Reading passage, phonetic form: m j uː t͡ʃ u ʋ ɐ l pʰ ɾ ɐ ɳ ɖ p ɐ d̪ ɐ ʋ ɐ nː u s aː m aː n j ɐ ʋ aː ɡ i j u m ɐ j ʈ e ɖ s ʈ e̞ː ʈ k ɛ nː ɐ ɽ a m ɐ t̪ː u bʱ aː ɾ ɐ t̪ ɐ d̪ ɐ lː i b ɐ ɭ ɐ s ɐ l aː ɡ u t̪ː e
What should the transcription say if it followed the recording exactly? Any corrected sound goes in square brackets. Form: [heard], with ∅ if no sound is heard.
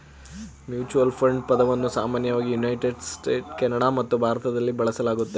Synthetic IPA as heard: m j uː t͡ʃ u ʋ ɐ l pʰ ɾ ɐ ɳ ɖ p ɐ d̪ ɐ ʋ ɐ nː u s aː m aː n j ɐ ʋ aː ɡ i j u [n] ɐ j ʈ e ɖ s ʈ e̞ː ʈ k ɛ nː ɐ ɽ a m ɐ t̪ː u bʱ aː ɾ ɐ t̪ ɐ d̪ ɐ lː i b ɐ ɭ ɐ s ɐ l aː ɡ u t̪ː e